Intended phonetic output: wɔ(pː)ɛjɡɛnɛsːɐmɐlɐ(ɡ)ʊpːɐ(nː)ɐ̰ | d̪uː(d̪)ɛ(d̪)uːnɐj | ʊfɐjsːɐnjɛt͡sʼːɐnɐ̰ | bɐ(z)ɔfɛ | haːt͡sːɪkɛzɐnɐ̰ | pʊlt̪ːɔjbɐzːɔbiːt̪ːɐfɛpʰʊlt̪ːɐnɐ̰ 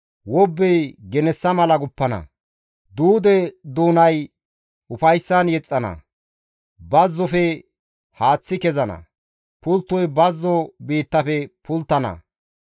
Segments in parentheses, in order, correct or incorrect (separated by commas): incorrect, correct, incorrect, correct, correct, incorrect